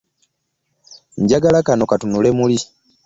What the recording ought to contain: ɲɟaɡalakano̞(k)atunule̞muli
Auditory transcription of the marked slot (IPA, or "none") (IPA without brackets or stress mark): k